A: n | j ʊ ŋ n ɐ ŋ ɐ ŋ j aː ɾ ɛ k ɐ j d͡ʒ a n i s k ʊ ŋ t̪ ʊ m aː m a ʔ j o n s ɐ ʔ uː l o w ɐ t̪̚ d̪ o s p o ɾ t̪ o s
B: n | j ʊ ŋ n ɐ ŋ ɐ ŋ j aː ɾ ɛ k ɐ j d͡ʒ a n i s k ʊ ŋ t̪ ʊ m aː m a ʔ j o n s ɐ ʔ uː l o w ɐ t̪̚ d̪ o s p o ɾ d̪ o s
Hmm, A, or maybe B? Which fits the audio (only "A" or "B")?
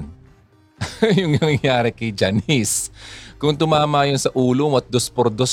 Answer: B